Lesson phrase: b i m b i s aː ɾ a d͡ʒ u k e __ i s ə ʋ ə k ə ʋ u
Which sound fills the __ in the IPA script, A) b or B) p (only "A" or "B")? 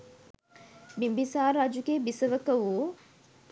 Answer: A